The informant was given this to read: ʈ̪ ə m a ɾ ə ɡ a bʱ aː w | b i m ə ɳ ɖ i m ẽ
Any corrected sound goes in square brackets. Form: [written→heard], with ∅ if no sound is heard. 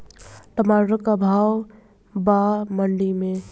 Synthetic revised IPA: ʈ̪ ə m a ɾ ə [ɡ→k] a bʱ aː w | b [i→a] m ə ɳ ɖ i m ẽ